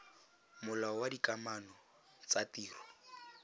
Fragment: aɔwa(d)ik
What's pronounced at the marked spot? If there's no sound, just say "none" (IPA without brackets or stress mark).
d